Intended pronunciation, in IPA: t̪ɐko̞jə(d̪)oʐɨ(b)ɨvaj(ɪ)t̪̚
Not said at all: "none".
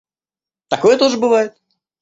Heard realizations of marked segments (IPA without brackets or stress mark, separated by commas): t̪, b, ɪ